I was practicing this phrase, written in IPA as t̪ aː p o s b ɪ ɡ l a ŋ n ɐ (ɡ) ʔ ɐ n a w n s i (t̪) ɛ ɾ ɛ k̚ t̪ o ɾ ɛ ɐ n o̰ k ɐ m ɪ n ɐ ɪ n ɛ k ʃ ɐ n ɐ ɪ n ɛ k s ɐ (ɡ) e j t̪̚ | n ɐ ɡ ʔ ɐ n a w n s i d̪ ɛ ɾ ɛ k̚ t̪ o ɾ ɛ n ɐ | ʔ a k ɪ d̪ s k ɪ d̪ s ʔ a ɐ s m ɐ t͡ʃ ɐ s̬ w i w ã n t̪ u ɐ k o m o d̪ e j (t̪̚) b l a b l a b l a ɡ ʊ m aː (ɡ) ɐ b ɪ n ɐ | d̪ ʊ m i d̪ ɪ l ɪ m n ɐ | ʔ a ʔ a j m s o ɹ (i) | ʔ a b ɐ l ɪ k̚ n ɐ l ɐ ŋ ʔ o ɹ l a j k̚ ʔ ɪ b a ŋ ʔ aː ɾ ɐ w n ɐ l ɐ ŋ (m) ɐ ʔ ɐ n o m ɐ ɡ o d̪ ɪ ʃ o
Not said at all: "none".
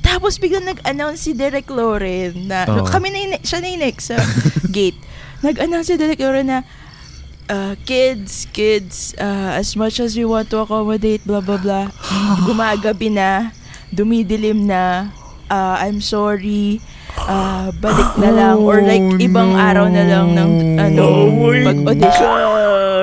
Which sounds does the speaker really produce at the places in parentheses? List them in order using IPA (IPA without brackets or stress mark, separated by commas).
ɡ, d̪, ɡ, t̪̚, ɡ, i, n